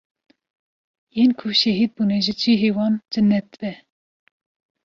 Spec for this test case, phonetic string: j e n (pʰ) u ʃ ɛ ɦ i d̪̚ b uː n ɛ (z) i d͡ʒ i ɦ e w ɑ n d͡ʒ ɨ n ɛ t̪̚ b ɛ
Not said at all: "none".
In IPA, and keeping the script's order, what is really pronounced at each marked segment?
kʰ, ʒ

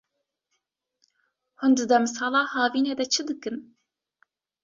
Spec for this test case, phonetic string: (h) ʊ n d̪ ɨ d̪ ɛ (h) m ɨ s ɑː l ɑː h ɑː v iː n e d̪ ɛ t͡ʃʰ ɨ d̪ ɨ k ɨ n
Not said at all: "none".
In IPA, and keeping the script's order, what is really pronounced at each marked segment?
h, none

